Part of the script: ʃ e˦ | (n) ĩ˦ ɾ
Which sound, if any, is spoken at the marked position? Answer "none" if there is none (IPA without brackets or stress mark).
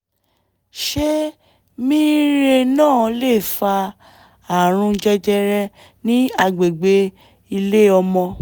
m